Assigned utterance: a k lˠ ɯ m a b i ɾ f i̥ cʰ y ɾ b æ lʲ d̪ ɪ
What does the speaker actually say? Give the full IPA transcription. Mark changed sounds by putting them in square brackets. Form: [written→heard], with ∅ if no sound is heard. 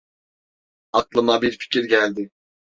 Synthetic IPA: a k lˠ ɯ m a b i ɾ f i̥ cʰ [y→i] ɾ [b→ɟ] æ lʲ d̪ ɪ